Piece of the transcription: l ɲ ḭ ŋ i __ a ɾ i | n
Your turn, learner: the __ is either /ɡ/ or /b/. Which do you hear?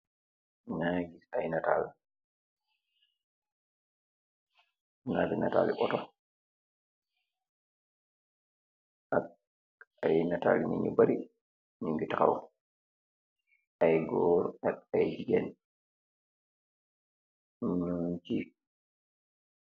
b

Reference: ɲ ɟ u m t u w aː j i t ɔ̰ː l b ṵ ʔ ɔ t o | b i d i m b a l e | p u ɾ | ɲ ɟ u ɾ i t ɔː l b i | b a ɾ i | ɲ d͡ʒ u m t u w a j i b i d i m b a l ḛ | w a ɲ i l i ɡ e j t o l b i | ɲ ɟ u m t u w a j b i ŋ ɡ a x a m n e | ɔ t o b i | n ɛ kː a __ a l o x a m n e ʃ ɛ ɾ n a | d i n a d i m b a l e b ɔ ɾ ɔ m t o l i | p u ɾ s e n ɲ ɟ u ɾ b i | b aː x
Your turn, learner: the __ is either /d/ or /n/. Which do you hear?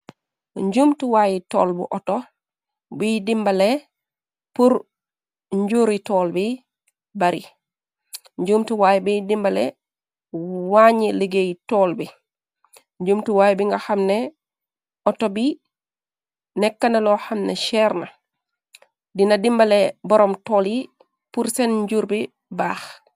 n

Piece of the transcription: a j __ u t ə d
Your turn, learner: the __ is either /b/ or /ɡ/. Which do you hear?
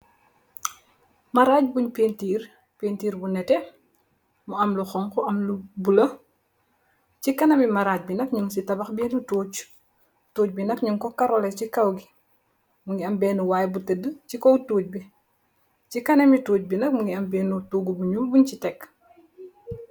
b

